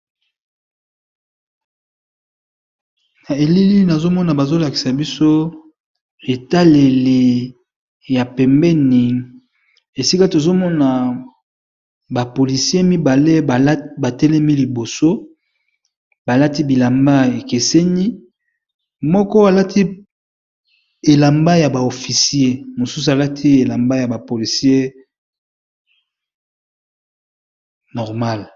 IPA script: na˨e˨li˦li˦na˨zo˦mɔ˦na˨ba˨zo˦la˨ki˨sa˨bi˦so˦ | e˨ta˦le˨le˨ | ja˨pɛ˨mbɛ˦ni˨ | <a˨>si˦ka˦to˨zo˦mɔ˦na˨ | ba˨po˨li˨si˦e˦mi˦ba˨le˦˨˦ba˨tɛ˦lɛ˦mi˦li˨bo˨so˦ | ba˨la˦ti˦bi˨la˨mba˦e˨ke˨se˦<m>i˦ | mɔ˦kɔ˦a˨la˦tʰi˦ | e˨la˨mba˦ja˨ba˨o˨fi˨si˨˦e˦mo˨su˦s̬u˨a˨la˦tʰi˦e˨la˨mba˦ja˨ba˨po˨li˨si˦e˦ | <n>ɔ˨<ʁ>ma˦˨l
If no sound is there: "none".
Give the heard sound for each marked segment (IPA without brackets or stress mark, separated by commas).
e˨, n, n, ʁ